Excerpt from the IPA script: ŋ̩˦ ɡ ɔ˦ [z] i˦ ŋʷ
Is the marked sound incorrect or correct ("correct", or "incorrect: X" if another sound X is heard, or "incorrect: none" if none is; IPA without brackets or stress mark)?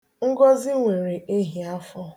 correct